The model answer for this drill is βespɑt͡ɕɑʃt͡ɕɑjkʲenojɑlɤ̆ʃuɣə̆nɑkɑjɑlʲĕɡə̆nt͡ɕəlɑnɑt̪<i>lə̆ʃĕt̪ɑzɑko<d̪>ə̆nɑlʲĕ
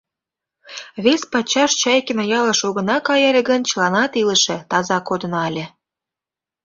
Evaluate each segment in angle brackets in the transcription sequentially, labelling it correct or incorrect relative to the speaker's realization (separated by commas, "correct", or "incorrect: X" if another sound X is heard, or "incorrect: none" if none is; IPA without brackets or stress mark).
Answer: correct, correct